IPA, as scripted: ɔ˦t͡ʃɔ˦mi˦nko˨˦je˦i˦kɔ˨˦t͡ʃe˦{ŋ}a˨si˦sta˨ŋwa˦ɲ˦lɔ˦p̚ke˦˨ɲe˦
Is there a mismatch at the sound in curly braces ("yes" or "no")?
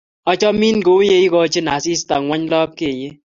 yes